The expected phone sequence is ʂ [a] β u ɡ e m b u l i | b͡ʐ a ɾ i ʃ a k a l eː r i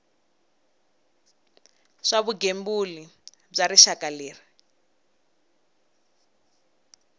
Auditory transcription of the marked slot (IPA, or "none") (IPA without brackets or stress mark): a